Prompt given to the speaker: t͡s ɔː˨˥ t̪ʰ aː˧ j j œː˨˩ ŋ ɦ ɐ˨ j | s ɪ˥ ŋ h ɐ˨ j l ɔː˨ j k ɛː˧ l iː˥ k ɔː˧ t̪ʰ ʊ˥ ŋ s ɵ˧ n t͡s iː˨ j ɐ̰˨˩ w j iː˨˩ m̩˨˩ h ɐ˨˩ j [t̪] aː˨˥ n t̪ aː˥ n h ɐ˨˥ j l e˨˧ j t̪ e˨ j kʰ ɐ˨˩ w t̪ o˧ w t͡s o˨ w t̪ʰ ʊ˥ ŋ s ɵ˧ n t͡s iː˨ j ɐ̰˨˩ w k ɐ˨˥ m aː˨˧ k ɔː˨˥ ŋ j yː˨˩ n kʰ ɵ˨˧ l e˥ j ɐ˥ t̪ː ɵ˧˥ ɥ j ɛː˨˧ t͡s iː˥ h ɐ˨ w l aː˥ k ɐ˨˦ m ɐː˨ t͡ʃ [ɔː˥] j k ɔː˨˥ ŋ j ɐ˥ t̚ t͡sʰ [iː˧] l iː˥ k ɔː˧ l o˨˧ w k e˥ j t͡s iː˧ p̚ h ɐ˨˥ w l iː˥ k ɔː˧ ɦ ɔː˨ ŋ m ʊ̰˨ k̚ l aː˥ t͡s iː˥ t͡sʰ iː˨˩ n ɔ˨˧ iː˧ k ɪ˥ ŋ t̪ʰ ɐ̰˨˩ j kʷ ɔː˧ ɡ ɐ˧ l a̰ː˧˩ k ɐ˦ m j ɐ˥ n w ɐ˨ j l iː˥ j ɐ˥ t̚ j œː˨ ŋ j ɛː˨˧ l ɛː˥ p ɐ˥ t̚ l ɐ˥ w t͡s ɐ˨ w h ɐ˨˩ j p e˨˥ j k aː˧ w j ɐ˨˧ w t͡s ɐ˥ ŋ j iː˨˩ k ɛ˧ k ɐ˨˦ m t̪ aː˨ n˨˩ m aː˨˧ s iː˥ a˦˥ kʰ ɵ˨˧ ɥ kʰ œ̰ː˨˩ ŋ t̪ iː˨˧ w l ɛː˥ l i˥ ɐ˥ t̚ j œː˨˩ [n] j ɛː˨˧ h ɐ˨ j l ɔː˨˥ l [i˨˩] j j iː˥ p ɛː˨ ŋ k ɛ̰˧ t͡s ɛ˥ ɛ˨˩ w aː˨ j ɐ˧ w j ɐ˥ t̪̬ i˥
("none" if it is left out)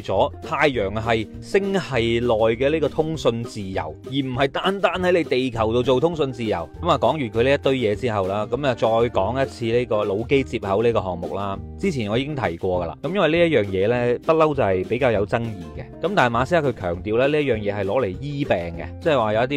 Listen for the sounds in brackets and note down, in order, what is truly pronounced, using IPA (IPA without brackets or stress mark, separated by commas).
t̪, ɔː˧, iː˧, ŋ, e˨˩